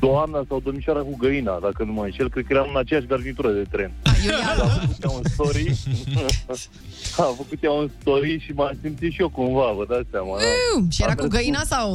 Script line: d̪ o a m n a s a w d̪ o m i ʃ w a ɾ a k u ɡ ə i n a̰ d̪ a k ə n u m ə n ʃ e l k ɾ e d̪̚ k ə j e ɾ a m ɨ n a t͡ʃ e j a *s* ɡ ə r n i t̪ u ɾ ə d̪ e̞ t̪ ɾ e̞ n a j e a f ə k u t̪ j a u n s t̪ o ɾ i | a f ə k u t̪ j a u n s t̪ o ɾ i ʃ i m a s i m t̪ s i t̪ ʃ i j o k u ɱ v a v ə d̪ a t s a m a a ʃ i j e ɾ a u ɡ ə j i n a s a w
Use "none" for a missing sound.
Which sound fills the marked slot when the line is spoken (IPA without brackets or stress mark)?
ʃ